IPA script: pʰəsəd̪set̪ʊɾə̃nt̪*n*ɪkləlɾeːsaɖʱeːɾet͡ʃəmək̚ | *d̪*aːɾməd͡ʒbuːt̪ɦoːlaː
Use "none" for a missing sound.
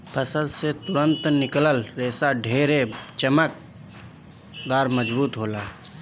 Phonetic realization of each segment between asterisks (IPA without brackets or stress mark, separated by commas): n, d̪